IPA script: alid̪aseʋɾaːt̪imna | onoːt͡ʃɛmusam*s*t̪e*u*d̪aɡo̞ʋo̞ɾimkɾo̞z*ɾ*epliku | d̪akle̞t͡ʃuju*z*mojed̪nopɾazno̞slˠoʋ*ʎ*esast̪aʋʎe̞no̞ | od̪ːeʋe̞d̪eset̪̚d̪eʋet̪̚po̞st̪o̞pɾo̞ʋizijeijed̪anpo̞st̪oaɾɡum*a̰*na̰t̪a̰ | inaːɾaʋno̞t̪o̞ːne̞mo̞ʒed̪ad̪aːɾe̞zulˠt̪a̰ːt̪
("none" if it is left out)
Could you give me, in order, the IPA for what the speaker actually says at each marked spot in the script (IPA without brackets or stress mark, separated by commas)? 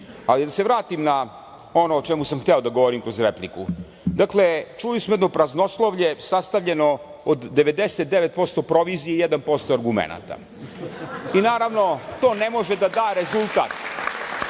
x, o, ɾ, s, ʎ, ḛ